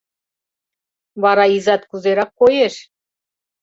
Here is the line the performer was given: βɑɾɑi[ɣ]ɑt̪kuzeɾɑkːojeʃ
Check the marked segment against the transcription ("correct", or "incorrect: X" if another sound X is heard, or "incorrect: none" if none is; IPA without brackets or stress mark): incorrect: z